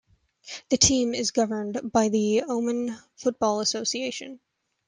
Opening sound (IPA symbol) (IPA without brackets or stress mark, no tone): ð